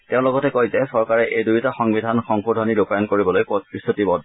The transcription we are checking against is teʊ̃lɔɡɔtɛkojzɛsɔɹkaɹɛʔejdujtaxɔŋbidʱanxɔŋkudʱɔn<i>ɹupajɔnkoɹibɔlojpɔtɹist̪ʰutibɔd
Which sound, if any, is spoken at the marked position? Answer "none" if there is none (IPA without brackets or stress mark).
i